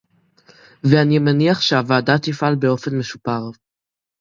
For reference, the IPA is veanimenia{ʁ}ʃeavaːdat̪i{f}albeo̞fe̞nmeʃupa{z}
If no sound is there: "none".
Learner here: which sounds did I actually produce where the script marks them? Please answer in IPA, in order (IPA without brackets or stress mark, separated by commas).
χ, f, ʁ